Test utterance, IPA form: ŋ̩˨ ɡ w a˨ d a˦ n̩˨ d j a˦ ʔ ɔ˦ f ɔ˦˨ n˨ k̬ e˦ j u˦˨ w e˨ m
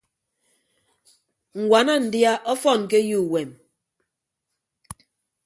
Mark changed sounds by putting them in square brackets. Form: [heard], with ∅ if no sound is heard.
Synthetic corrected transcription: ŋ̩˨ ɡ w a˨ [n] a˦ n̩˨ d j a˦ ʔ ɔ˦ f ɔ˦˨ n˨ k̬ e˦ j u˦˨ w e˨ m